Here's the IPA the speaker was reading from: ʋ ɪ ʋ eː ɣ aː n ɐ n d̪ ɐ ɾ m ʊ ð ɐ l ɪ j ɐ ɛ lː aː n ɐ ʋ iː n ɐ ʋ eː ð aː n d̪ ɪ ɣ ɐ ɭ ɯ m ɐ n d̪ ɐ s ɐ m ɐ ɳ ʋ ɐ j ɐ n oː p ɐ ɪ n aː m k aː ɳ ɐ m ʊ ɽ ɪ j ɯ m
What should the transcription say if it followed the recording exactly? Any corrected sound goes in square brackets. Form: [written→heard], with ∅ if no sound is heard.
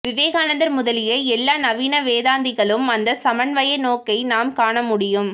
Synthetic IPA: ʋ ɪ ʋ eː ɣ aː n ɐ n d̪ ɐ ɾ m ʊ ð ɐ l ɪ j ɐ ɛ lː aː n ɐ ʋ iː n ɐ ʋ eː ð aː n d̪ ɪ ɣ ɐ ɭ ɯ m ɐ n d̪ ɐ s ɐ m ɐ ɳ ʋ ɐ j ɐ n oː [p→k] ɐ ɪ n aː m k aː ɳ ɐ m ʊ ɽ ɪ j ɯ m